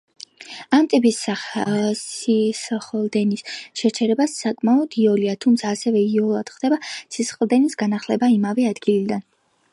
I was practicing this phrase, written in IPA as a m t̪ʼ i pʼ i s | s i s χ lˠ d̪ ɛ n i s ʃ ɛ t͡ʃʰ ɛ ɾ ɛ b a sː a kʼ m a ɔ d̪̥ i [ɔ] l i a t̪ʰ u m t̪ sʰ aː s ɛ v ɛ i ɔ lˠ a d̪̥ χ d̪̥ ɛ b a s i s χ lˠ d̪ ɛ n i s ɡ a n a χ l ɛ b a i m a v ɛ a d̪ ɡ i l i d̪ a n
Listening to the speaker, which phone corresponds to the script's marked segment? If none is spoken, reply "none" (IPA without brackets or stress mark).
ɔ